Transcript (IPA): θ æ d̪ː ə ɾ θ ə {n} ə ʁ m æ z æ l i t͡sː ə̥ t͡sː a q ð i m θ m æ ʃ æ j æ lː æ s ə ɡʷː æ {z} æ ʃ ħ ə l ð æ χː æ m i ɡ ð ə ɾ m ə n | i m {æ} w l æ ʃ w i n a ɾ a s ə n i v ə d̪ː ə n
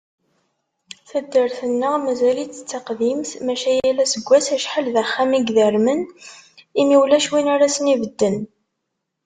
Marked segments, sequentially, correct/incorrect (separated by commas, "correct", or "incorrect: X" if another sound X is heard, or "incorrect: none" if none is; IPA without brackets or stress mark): incorrect: nː, incorrect: s, incorrect: i